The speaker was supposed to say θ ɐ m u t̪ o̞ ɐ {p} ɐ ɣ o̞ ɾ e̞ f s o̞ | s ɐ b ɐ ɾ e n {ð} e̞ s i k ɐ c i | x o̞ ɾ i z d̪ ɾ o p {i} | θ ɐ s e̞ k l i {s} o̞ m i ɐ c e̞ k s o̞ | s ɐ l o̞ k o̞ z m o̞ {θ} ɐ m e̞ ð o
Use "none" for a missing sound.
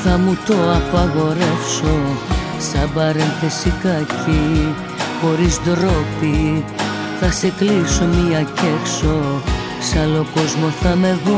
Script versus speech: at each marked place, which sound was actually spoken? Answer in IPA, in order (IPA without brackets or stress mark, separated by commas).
p, θ, i, s, θ